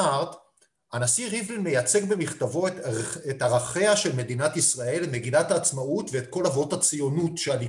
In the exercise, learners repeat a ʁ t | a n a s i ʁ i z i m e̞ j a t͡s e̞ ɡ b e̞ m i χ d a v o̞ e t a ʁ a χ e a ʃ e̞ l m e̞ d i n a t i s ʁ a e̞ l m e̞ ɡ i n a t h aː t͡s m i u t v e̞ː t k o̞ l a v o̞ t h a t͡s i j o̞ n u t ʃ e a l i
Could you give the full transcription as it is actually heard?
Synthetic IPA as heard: a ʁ t | a n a s i ʁ i v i m e̞ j a t͡s e̞ ɡ b e̞ m i χ t a v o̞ e t a ʁ a χ e a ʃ e̞ l m e̞ d i n a t i s ʁ a e̞ l m e̞ ɡ i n a t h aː t͡s m a u t v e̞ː t k o̞ l a v o̞ t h a t͡s i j o̞ n u t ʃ e a l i